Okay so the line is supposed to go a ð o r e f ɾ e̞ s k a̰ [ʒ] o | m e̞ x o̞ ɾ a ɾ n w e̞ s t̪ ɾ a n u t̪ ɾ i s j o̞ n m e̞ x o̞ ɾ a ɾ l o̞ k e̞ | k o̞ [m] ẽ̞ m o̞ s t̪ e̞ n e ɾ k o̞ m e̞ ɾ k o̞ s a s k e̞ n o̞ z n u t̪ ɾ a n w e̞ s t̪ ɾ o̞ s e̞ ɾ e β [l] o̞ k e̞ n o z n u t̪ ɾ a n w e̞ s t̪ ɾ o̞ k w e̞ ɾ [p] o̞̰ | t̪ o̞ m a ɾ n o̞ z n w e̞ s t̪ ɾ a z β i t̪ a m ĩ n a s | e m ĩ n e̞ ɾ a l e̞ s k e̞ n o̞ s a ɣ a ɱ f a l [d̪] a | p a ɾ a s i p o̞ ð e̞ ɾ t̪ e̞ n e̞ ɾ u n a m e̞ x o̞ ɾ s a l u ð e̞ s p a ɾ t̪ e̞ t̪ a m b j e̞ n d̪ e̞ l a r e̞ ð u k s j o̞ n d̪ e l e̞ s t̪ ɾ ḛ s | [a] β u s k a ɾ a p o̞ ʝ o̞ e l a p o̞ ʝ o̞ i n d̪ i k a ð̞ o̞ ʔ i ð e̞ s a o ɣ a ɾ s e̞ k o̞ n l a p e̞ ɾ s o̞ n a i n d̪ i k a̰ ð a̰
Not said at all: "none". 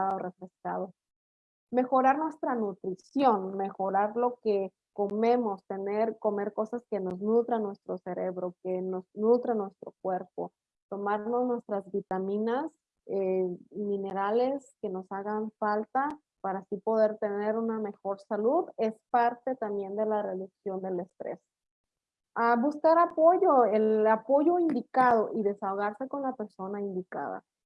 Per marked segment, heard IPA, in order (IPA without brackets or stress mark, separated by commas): ð, m, ɾ, p, t̪, a